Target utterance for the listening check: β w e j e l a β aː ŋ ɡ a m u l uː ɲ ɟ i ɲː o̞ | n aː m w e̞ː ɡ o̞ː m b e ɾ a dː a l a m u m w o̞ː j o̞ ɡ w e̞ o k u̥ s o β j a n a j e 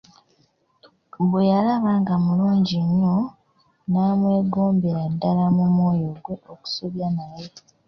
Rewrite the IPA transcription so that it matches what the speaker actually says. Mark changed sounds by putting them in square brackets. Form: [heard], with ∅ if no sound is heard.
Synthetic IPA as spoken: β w e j [a] l a β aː ŋ ɡ a m u l uː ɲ ɟ i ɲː o̞ | n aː m w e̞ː ɡ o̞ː m b e ɾ a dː a l a m u m w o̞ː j o̞ ɡ w e̞ o k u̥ s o β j a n a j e

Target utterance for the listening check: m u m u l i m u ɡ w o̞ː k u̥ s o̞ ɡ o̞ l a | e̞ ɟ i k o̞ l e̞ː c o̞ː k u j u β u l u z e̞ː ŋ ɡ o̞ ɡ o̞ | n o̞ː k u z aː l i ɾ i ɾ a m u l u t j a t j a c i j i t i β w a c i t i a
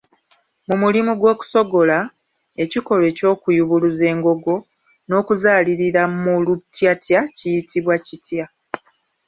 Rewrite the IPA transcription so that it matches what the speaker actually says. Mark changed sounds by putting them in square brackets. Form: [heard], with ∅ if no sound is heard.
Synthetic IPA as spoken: m u m u l i m u ɡ w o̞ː k u̥ s o̞ ɡ o̞ l a | e̞ [c] i k o̞ l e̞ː c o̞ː k u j u β u l u z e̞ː ŋ ɡ o̞ ɡ o̞ | n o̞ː k u z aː l i ɾ i ɾ a m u l u t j a t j a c i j i t i β w a c i t [j] a

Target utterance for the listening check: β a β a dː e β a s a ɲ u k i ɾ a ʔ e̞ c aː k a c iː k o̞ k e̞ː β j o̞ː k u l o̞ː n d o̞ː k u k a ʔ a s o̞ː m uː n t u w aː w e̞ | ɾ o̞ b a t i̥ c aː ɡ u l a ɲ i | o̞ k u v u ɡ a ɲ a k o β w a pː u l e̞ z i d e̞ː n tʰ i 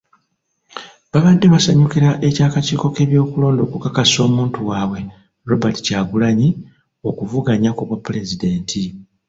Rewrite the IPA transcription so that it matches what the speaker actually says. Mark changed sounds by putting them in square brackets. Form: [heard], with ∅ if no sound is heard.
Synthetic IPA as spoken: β a β a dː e β a s a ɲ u k i ɾ a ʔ e̞ c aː k a c iː k o̞ k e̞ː β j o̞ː k u l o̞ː n d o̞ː k u k a [k] a s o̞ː m uː n t u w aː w e̞ | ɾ o̞ b a t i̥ c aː ɡ u l a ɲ i | o̞ k u v u ɡ a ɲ a k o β w a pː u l e̞ z i d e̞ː n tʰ i

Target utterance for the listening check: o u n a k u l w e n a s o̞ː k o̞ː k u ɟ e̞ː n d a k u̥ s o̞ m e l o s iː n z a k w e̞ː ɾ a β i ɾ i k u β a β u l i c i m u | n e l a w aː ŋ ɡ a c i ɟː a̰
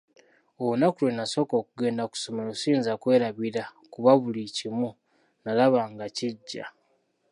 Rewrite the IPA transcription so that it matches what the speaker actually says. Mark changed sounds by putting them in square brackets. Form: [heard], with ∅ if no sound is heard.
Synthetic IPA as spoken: o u n a k u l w e n a s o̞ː k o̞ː k u [ɡ] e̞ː n d a k u̥ s o̞ m e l o s iː n z a k w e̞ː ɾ a β i ɾ [a] k u β a β u l i c i m u | n [a] l a [β] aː ŋ ɡ a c i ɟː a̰

